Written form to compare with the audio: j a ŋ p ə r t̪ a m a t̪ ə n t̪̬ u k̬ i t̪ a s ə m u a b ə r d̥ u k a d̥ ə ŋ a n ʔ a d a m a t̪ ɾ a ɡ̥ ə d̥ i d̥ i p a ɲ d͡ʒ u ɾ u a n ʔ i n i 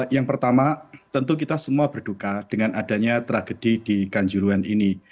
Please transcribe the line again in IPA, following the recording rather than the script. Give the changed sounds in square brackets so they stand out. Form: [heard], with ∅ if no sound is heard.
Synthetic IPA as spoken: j a ŋ p ə r t̪ a m a t̪ ə n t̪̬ u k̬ i t̪ a s ə m u a b ə r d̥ u k a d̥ ə ŋ a n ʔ a d a [ɲ] a t̪ ɾ a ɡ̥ ə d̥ i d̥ i [k] a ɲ d͡ʒ u ɾ u a n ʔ i n i